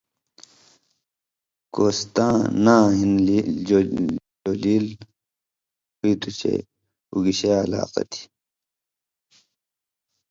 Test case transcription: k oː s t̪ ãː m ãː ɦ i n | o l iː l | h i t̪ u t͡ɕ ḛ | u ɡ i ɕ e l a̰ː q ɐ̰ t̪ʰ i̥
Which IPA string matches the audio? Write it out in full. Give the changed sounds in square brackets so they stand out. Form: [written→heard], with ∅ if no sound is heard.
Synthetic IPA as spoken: k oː s t̪ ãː [m→n] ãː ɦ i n | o l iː l | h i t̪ u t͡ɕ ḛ | u ɡ i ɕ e l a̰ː q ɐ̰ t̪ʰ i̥